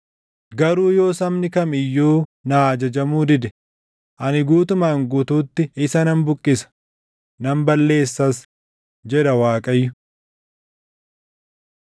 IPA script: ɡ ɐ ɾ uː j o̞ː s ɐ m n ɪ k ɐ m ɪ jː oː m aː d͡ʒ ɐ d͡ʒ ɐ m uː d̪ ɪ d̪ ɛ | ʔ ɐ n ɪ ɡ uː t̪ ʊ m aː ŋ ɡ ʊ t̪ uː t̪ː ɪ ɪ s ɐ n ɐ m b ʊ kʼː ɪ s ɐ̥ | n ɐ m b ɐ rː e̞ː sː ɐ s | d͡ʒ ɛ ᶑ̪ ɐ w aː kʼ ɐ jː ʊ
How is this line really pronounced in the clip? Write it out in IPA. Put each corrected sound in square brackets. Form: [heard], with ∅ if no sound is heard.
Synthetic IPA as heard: ɡ ɐ ɾ uː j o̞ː s ɐ m n ɪ k ɐ m ɪ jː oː [n] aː d͡ʒ ɐ d͡ʒ ɐ m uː d̪ ɪ d̪ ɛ | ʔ ɐ n ɪ ɡ uː t̪ ʊ m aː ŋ ɡ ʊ t̪ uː t̪ː ɪ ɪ s ɐ n ɐ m b ʊ kʼː ɪ s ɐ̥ | n ɐ m b ɐ [lː] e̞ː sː ɐ s | d͡ʒ ɛ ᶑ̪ ɐ w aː kʼ ɐ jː ʊ